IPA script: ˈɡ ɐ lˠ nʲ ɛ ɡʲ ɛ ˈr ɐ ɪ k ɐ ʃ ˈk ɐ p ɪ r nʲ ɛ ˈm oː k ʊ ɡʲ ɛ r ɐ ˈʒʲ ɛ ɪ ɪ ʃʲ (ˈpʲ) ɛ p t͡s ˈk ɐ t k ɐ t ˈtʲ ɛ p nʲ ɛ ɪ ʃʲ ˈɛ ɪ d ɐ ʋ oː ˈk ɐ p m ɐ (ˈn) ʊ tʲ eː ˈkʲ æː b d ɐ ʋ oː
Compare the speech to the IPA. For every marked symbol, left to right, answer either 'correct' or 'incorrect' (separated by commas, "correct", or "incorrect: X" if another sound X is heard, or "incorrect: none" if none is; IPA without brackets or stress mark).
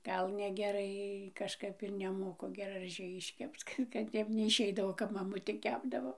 incorrect: kʲ, incorrect: m